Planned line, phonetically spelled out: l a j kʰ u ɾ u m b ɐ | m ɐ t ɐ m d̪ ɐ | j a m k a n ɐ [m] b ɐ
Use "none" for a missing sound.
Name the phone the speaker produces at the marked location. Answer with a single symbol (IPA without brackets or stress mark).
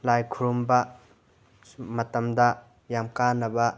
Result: none